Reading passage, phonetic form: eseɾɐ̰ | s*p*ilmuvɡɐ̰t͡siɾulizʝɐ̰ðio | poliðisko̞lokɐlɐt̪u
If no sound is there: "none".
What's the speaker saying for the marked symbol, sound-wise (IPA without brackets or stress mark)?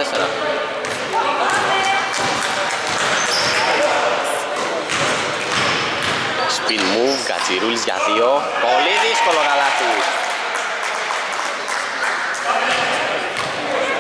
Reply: p